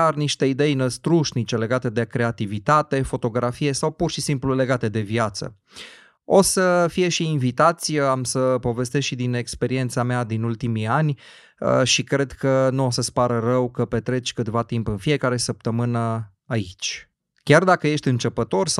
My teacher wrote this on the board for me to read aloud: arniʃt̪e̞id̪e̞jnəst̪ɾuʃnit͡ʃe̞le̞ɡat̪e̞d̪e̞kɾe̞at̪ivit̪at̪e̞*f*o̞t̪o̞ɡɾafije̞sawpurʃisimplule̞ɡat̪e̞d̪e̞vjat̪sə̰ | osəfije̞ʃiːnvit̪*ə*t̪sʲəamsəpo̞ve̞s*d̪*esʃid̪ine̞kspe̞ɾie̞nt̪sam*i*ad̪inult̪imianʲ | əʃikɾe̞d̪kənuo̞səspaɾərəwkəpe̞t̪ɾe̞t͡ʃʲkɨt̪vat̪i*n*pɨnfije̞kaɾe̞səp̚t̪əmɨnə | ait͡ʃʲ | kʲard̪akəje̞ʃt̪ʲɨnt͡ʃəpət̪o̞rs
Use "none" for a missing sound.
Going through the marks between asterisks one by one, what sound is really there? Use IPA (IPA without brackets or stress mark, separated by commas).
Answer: f, a, t̪, e, m